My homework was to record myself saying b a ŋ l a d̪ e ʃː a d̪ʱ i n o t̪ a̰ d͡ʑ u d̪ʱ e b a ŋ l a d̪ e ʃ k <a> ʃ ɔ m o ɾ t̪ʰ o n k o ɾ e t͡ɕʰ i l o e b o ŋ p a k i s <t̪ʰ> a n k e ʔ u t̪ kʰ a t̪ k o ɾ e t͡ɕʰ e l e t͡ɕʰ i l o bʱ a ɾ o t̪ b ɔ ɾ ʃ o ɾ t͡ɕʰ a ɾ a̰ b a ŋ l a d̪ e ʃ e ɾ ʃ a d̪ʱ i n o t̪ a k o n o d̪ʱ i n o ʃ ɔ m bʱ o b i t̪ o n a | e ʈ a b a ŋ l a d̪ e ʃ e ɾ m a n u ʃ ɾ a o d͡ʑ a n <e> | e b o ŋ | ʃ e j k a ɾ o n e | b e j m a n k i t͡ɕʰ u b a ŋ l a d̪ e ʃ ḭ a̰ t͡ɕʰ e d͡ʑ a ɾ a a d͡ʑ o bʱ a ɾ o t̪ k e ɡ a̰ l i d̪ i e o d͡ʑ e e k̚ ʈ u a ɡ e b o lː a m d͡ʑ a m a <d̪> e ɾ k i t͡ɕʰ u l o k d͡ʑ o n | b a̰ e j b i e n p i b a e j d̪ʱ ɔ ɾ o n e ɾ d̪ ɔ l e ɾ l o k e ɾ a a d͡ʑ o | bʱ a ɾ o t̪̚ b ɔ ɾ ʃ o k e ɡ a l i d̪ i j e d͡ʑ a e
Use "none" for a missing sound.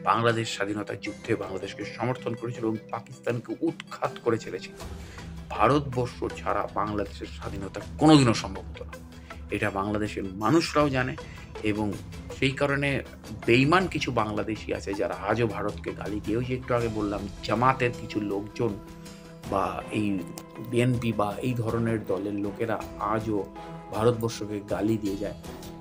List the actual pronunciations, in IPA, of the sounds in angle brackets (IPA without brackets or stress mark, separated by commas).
e, t̪, e, t̪